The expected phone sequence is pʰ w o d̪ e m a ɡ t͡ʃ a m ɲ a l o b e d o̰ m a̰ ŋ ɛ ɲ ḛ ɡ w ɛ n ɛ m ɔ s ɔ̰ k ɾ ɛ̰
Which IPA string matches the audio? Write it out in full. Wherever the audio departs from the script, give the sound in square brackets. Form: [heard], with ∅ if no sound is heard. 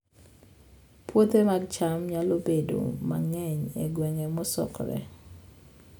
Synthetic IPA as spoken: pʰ w o [t̪] e m a ɡ t͡ʃ a m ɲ a l o b e d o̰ m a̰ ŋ ɛ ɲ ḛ ɡ w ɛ [ŋ] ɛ m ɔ s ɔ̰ k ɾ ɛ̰